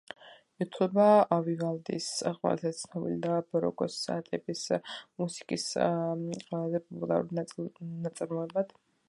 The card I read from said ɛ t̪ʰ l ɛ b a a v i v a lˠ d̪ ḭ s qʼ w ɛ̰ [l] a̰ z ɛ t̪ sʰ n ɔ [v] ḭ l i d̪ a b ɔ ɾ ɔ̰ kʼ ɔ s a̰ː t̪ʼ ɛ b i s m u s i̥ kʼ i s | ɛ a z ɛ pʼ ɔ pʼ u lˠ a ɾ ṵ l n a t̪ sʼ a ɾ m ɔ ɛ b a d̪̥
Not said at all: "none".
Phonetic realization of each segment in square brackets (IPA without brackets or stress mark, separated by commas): l, b